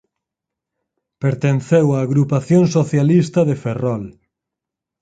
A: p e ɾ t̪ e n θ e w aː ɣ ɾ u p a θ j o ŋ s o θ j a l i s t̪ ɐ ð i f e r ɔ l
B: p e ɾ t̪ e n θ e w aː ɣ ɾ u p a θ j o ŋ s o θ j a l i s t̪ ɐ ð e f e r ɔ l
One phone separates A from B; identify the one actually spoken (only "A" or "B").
B